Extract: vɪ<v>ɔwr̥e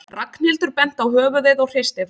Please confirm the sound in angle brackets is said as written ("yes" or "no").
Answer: no